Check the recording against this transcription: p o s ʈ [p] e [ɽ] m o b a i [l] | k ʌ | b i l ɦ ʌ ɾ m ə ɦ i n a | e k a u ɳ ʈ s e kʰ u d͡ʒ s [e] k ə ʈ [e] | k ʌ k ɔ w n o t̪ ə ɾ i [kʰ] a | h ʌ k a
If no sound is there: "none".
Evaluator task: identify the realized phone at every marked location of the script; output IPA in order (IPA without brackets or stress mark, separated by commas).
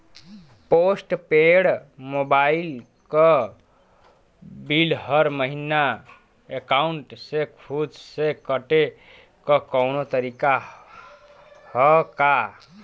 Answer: p, ɽ, l, e, e, k